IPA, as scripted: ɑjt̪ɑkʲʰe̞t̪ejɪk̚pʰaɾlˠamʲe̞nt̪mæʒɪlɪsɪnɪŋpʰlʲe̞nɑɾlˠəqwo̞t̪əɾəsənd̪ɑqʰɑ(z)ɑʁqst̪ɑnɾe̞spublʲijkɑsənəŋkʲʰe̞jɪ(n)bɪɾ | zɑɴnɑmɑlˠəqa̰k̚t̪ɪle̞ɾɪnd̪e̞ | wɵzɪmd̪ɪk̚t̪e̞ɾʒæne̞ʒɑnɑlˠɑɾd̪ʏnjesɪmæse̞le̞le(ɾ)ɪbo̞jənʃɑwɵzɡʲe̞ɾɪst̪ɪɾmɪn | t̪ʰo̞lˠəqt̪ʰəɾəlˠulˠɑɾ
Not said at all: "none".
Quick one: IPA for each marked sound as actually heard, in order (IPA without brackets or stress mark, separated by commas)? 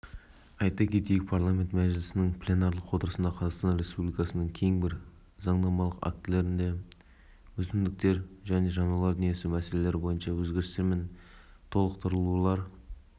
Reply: z, ŋ, ɾ